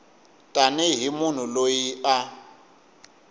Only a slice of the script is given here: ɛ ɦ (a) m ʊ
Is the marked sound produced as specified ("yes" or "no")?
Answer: no